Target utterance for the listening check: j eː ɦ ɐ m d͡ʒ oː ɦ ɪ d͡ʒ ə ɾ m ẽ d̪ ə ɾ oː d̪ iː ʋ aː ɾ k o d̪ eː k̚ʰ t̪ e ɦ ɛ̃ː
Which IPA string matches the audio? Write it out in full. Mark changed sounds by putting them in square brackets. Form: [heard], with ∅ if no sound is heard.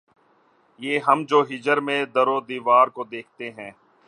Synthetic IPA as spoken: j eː ɦ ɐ m d͡ʒ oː ɦ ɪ d͡ʒ ə ɾ m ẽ d̪ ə ɾ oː d̪ iː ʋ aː ɾ k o d̪ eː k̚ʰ t̪ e ɦ ɛ̃ː